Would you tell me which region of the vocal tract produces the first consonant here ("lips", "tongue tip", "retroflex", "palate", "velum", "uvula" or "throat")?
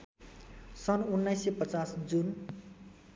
tongue tip